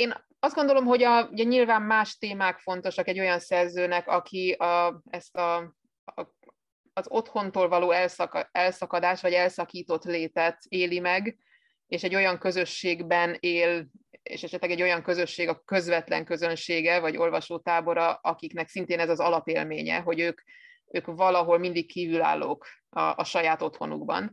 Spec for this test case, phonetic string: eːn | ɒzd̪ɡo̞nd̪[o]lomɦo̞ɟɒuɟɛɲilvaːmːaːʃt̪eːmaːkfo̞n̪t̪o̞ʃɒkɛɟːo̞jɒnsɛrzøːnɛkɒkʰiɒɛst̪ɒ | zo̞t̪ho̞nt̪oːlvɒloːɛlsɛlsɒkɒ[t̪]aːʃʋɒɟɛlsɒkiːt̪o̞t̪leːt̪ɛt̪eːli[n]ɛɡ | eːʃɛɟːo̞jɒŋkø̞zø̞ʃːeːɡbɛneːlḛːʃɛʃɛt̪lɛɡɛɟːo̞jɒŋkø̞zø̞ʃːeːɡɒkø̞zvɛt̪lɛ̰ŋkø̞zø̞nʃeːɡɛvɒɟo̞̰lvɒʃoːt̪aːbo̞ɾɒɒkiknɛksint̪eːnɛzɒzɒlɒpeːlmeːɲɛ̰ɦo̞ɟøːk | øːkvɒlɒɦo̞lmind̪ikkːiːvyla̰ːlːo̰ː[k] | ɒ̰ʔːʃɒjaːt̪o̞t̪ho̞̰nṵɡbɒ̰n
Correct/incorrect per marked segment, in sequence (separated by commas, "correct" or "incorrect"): correct, incorrect, incorrect, correct